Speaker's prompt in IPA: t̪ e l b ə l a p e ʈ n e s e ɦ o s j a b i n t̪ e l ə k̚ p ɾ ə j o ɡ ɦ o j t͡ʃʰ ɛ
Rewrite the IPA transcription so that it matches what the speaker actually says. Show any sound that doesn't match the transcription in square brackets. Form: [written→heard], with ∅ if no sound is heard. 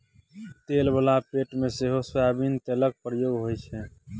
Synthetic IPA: t̪ e l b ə l a p e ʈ [n→m] e s e ɦ o s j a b i n t̪ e l ə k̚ p ɾ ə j o ɡ ɦ o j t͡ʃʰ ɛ